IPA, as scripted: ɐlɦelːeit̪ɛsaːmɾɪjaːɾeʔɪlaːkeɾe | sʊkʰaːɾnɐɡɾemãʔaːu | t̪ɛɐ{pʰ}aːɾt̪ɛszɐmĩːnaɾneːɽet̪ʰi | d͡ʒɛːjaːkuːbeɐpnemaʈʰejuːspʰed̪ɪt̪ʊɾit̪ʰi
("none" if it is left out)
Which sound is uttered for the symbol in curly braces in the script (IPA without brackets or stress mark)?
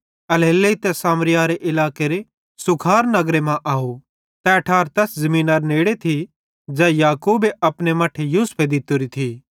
ʈʰ